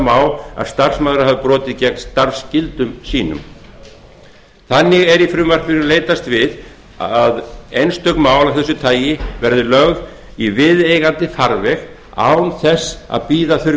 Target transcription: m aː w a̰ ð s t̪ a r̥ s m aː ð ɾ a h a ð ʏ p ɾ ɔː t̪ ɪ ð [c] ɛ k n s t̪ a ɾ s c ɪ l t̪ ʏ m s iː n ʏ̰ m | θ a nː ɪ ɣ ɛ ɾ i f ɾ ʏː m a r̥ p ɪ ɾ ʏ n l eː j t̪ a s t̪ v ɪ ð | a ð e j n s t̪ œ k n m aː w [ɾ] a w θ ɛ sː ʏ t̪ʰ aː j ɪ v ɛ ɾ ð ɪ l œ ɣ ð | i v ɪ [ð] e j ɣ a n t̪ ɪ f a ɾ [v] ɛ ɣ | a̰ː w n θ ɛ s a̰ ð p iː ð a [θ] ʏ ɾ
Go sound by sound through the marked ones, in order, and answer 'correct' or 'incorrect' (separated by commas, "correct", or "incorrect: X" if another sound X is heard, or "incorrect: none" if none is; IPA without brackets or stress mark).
correct, incorrect: l, correct, correct, correct